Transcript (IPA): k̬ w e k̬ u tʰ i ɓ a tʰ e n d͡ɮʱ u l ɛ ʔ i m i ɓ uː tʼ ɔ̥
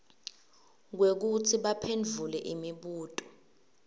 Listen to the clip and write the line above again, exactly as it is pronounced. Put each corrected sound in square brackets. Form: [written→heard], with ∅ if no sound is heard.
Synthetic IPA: k̬ w e k̬ u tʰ i ɓ a [tʰ→pʰ] e n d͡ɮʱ u l ɛ ʔ i m i ɓ uː tʼ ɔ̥